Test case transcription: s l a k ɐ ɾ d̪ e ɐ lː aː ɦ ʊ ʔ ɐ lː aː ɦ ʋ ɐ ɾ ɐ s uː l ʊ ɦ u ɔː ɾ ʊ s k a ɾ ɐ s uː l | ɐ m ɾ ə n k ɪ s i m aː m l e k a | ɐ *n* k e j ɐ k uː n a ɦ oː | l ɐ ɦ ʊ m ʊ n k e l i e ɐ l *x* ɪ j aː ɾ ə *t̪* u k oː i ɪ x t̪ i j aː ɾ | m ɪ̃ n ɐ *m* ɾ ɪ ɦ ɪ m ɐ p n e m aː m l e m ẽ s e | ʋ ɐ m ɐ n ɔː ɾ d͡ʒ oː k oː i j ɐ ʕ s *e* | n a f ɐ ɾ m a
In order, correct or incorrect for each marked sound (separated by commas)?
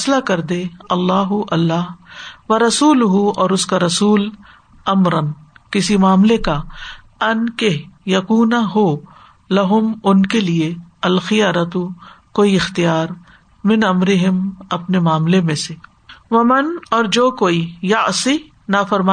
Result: correct, correct, correct, correct, incorrect